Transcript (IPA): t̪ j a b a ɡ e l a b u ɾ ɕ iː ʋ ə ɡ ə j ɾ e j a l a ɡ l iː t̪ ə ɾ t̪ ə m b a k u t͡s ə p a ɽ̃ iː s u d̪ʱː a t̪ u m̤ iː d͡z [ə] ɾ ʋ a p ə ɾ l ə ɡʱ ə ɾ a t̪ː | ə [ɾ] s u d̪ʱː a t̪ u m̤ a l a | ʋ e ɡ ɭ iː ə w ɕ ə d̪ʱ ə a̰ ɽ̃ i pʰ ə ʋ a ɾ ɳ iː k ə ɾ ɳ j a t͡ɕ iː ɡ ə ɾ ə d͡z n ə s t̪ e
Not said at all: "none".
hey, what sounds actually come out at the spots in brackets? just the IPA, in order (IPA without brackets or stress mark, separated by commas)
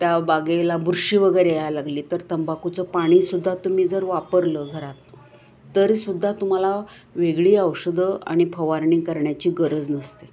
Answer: ə, ɾ